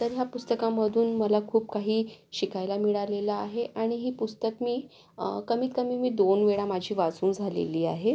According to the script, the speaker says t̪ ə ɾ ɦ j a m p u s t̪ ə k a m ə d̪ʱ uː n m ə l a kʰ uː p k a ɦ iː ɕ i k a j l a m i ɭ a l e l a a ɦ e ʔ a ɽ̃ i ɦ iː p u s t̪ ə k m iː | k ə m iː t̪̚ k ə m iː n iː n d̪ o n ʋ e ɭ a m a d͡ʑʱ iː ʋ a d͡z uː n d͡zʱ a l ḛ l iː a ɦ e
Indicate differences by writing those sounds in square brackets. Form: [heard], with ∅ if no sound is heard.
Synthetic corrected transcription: t̪ ə ɾ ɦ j a [∅] p u s t̪ ə k a m ə d̪ʱ uː n m ə l a kʰ uː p k a ɦ iː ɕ i k a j l a m i ɭ a l e l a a ɦ e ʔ a ɽ̃ i ɦ iː p u s t̪ ə k m iː | k ə m iː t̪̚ k ə m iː [m] iː [∅] d̪ o n ʋ e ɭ a m a d͡ʑʱ iː ʋ a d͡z uː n d͡zʱ a l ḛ l iː a ɦ e